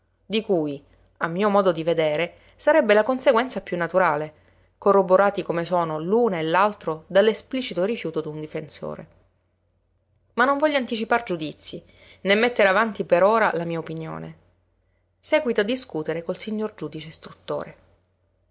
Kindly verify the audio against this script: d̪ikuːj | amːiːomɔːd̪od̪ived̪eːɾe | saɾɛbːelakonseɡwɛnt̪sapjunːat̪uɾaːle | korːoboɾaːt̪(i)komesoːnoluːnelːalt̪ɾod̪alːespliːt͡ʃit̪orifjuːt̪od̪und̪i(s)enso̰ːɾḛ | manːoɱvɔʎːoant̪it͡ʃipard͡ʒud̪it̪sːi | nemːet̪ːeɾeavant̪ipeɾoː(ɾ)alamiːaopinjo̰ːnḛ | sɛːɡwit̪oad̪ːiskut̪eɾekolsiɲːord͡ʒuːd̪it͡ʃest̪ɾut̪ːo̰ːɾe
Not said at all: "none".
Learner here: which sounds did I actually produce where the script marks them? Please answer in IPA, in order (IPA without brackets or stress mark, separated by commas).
i, f, ɾ